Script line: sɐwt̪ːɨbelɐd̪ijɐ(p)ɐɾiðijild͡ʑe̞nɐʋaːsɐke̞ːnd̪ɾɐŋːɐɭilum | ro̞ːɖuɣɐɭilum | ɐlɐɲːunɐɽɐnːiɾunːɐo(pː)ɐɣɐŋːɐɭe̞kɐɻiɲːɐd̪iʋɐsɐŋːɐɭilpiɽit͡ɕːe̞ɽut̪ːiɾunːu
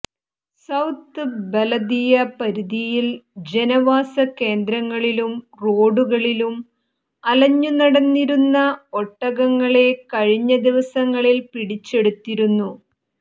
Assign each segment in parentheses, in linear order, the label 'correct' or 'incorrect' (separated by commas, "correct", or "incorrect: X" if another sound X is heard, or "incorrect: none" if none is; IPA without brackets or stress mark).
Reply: correct, incorrect: ʈː